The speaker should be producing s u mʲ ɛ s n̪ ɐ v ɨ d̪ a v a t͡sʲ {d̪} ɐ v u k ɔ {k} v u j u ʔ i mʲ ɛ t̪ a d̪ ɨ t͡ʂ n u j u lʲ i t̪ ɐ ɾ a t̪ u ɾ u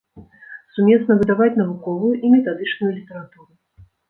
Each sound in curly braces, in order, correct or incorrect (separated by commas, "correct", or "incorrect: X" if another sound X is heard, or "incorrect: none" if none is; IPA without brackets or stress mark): incorrect: n̪, incorrect: none